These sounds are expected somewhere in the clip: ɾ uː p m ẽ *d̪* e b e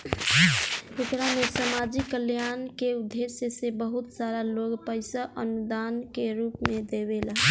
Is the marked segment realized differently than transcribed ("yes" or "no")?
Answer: no